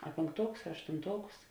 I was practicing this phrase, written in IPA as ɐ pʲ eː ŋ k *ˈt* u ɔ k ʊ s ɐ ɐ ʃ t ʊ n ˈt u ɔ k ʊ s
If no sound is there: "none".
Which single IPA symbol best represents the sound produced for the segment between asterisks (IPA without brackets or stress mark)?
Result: t